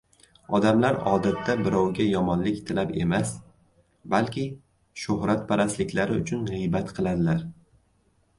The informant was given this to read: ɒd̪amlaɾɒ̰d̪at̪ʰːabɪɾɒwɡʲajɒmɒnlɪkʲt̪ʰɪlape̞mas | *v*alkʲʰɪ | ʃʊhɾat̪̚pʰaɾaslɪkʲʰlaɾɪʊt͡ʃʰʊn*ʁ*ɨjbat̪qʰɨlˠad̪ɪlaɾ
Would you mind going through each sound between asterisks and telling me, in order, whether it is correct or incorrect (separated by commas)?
incorrect, correct